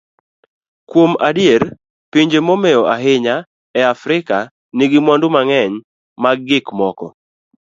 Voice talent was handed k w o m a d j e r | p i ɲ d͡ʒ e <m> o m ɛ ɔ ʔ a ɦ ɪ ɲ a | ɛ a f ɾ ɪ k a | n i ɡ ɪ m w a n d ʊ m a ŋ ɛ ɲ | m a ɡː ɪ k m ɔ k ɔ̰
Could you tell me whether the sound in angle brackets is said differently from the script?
no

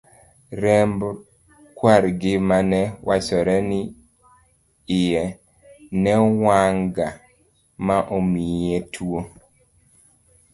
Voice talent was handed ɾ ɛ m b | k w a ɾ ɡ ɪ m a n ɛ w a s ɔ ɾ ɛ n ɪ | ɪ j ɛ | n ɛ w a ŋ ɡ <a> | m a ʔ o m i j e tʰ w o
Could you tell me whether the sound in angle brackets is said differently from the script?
no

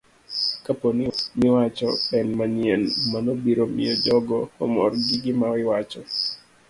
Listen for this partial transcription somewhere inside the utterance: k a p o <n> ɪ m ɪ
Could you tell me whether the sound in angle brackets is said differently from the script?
no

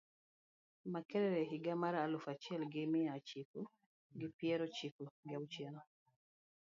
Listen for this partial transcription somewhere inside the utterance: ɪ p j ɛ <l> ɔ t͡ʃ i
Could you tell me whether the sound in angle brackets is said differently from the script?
yes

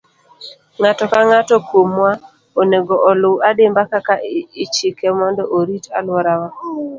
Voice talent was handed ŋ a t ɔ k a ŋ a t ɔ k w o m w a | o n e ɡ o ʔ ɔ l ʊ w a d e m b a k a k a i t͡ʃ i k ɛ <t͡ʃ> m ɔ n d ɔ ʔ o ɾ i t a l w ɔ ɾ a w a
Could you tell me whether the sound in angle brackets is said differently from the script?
yes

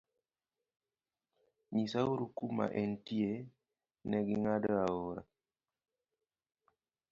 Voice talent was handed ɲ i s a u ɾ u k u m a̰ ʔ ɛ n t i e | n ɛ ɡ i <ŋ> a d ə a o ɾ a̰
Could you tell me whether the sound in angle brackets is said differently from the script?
no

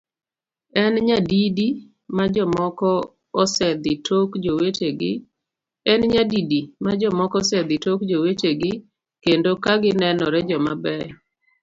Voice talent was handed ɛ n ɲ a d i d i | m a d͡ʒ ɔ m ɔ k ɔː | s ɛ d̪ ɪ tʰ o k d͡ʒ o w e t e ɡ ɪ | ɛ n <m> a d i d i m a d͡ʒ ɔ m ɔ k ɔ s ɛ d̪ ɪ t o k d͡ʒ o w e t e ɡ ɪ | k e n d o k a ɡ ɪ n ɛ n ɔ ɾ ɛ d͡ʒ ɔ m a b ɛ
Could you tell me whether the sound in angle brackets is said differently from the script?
yes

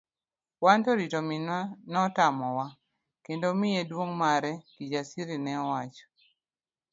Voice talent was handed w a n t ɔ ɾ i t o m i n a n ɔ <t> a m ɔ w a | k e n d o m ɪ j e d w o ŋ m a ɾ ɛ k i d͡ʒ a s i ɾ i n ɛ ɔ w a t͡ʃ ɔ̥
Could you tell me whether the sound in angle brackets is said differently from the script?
no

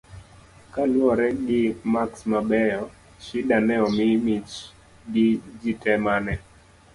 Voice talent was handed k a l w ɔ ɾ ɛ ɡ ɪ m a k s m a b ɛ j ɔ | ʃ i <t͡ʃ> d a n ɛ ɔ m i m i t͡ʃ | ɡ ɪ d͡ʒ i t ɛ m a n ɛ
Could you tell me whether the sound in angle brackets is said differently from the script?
yes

